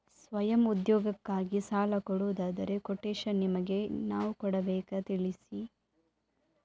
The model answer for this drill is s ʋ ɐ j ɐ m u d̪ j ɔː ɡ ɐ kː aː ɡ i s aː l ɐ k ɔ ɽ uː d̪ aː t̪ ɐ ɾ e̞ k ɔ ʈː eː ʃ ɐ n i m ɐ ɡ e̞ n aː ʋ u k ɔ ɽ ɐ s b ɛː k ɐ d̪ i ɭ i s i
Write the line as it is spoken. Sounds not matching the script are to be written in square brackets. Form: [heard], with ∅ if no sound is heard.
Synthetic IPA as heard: s ʋ ɐ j ɐ m u d̪ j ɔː ɡ ɐ kː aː ɡ i s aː l ɐ k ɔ ɽ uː d̪ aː [d̪] ɐ ɾ e̞ k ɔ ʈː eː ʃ ɐ n i m ɐ ɡ e̞ n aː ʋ u k ɔ ɽ ɐ [∅] b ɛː k ɐ [t̪] i ɭ i s i

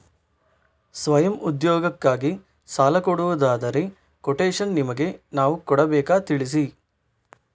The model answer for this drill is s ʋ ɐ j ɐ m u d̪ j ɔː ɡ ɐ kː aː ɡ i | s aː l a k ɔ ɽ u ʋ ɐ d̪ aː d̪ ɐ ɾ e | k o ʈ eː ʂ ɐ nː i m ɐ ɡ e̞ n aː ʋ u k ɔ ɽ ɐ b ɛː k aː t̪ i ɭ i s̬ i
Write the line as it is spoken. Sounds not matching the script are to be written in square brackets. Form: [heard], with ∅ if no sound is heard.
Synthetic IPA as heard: s ʋ ɐ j ɐ m u d̪ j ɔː ɡ ɐ kː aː ɡ i | s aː l [ɐ] k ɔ ɽ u ʋ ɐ d̪ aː d̪ ɐ ɾ e | k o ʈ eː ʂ ɐ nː i m ɐ ɡ e̞ n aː ʋ u k ɔ ɽ ɐ b ɛː k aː t̪ i ɭ i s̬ i

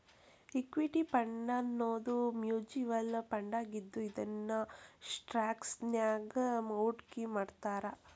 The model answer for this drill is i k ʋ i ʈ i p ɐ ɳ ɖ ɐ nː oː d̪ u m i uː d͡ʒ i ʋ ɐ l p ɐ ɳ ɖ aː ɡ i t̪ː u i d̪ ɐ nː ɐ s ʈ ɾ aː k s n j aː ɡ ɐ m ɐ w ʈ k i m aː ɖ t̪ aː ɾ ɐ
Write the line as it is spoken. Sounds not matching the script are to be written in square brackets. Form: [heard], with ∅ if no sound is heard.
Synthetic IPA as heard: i k ʋ i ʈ i p ɐ ɳ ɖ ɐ nː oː d̪ u m [j] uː d͡ʒ i ʋ ɐ l p ɐ ɳ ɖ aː ɡ i [d̪ː] u i d̪ ɐ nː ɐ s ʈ ɾ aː k s n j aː ɡ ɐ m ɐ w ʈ k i m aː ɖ t̪ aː ɾ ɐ

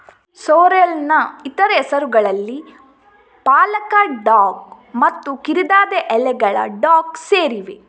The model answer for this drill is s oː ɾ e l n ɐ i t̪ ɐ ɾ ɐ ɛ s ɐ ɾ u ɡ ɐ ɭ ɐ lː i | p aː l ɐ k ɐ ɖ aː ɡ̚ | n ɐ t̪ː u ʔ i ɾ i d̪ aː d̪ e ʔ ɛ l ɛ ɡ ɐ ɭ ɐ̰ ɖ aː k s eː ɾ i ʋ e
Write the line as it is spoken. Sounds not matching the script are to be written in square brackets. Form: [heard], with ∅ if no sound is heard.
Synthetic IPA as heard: s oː ɾ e l n ɐ i t̪ ɐ ɾ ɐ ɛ s ɐ ɾ u ɡ ɐ ɭ ɐ lː i | p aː l ɐ k ɐ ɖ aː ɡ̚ | [m] ɐ t̪ː u [k] i ɾ i d̪ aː d̪ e ʔ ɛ l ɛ ɡ ɐ ɭ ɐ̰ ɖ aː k s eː ɾ i ʋ e

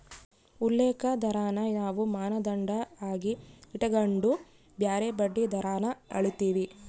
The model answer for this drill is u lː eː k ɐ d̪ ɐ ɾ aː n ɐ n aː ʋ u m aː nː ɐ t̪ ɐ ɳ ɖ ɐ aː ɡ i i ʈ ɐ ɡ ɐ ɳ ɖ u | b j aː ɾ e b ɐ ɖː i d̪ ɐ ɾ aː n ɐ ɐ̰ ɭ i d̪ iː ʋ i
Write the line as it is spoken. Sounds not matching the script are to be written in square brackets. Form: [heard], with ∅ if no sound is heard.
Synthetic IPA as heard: u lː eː k ɐ d̪ ɐ ɾ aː n ɐ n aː ʋ u m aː [n] ɐ [d̪] ɐ ɳ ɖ ɐ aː ɡ i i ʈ ɐ ɡ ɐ ɳ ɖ u | b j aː ɾ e b ɐ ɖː i d̪ ɐ ɾ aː n ɐ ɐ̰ ɭ i [t̪] iː ʋ i

